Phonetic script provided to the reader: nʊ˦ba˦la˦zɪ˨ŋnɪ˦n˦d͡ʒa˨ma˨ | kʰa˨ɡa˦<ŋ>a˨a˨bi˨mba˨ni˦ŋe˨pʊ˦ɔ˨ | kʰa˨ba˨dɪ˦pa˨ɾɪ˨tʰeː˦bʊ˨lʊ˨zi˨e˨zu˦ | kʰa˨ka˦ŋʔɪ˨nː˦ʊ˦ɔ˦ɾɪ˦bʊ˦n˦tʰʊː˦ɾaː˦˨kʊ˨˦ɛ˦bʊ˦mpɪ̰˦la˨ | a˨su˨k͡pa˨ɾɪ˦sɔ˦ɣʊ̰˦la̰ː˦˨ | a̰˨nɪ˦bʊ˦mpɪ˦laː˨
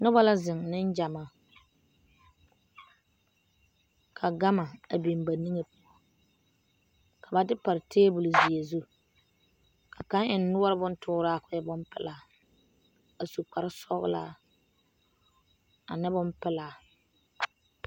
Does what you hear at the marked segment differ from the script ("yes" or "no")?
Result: yes